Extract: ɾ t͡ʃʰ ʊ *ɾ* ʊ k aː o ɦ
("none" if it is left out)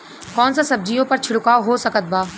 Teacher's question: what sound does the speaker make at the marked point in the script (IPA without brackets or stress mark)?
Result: ɽ